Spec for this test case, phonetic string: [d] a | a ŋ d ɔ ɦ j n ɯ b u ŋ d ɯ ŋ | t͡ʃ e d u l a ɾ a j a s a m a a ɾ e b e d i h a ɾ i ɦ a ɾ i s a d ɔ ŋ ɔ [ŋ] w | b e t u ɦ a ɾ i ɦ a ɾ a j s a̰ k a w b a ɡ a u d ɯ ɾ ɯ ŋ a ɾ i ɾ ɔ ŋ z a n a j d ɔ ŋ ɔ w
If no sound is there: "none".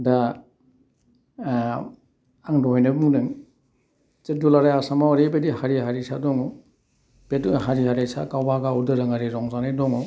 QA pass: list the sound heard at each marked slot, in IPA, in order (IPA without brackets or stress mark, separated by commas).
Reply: d, none